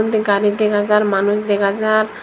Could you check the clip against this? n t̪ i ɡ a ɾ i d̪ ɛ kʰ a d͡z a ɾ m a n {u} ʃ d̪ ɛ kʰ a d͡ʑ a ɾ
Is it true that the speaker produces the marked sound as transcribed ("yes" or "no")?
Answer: yes